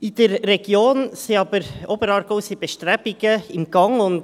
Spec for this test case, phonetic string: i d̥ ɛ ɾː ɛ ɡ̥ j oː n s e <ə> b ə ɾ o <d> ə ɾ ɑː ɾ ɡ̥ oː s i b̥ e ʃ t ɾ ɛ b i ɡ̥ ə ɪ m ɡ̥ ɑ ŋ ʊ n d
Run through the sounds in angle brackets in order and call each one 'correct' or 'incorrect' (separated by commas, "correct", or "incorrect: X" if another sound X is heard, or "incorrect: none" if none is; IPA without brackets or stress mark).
incorrect: ɑ, incorrect: b